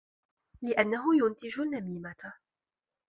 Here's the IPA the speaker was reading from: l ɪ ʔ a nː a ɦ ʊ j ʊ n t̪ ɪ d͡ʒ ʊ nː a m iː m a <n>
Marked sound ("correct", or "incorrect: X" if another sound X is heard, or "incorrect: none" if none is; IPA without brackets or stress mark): incorrect: none